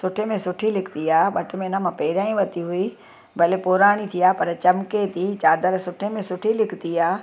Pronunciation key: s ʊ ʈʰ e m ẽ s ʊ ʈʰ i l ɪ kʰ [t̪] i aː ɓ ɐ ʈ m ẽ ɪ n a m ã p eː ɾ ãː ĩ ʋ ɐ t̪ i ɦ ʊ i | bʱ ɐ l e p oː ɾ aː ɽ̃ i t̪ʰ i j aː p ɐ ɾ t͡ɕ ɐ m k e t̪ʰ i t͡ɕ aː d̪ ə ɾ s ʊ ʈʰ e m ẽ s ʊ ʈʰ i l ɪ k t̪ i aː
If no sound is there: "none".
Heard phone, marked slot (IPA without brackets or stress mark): t̪